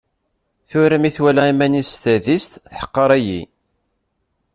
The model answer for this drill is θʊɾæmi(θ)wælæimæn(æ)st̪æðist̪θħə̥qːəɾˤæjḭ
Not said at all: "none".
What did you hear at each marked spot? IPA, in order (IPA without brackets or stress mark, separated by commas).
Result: θ, i